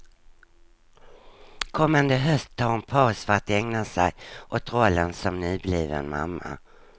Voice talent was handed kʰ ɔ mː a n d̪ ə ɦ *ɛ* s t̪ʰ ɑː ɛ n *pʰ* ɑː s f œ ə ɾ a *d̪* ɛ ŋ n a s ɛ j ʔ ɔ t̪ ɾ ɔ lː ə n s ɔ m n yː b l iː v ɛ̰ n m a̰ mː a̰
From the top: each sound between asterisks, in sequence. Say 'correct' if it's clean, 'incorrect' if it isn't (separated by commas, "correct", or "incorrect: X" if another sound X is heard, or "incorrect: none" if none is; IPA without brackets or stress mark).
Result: incorrect: œ, correct, incorrect: t̪